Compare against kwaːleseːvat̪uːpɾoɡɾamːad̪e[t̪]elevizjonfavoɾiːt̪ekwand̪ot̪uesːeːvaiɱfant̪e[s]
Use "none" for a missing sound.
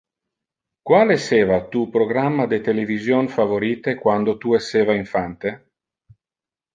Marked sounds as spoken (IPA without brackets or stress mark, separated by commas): t̪, none